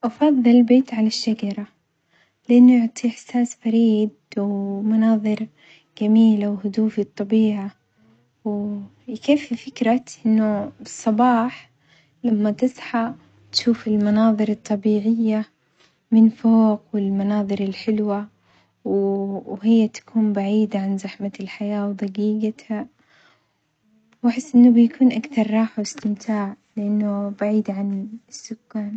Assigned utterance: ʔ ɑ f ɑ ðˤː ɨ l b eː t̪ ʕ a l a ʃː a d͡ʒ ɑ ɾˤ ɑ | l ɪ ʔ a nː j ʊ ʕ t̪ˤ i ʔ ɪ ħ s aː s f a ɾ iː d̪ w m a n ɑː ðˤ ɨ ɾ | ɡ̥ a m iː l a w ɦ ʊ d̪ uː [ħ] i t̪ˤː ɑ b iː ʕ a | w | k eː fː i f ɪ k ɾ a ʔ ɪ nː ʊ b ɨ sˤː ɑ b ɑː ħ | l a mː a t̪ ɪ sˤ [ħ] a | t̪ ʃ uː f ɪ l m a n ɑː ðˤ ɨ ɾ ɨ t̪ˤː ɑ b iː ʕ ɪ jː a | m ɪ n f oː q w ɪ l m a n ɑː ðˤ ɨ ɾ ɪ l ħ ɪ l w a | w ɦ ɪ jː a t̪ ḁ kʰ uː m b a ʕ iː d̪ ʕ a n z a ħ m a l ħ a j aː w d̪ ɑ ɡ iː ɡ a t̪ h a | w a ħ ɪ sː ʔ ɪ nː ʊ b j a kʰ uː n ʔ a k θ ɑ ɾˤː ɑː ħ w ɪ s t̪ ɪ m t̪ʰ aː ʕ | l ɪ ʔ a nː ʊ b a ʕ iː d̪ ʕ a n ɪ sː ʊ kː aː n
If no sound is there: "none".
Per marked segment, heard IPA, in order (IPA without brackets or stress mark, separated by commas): f, ħ